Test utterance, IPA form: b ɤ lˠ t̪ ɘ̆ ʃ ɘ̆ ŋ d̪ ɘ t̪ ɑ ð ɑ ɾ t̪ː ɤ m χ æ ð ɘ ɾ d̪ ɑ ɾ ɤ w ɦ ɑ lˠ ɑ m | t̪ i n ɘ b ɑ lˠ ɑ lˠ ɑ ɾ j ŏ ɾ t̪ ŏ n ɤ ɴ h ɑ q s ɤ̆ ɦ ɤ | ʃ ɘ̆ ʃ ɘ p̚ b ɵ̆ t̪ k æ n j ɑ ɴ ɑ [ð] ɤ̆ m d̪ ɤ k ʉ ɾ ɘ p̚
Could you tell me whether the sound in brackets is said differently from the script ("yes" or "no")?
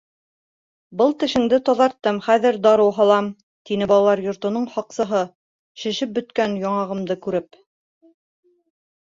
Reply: yes